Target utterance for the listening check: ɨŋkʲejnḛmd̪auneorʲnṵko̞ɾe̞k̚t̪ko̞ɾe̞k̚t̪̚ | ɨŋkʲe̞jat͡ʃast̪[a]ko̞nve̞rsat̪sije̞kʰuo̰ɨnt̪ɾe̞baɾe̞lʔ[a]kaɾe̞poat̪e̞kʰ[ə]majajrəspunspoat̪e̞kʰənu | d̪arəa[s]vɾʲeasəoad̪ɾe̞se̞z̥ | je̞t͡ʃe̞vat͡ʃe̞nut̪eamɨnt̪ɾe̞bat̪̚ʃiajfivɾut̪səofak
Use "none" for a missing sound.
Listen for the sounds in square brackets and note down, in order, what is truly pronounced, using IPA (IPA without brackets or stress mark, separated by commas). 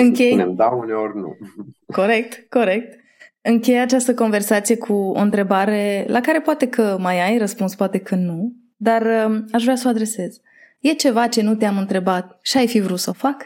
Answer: ə, a, ə, ʃ